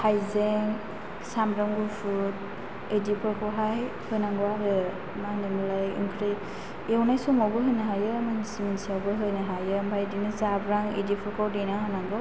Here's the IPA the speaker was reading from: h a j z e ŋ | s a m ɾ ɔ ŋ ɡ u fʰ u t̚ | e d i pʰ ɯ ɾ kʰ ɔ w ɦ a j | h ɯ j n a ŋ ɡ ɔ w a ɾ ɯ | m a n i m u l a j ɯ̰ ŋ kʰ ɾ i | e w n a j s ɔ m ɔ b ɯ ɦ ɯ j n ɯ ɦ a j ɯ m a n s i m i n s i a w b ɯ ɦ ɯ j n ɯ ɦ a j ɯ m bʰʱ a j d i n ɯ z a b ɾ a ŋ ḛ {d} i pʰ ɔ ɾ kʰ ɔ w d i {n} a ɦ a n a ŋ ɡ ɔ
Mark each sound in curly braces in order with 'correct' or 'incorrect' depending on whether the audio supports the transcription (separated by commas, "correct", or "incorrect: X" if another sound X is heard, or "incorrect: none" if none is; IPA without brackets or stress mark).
correct, correct